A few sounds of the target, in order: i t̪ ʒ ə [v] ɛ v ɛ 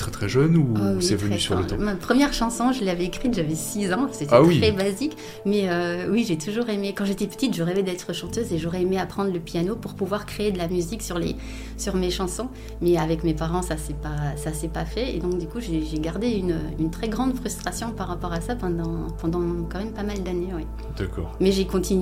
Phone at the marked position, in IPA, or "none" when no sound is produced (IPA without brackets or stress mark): ʁ